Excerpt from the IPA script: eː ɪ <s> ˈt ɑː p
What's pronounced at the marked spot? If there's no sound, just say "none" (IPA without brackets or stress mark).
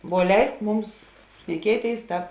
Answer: s